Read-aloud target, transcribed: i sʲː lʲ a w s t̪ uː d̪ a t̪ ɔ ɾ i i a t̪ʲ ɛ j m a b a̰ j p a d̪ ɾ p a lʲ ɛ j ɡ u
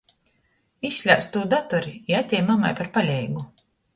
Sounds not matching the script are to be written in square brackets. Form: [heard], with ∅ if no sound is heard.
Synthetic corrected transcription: i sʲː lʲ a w s t̪ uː d̪ a t̪ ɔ ɾ i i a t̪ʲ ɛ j m a [m] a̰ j p a [∅] ɾ p a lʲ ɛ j ɡ u